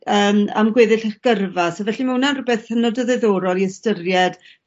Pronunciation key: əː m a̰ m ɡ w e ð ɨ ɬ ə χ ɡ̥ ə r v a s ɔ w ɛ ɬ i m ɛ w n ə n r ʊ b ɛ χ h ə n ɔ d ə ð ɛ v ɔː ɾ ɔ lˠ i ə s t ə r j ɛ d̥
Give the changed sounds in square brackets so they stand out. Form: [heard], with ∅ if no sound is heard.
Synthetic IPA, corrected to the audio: əː m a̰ m ɡ w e ð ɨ ɬ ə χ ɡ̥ ə r v a s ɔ [v] ɛ ɬ i m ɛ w n [a] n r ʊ b ɛ [θ] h ə n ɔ d ə ð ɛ [ð] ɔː ɾ ɔ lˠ i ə s t ə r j ɛ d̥